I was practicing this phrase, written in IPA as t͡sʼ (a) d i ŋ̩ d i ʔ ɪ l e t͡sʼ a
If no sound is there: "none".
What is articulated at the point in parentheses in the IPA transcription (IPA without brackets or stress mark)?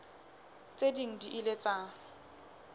e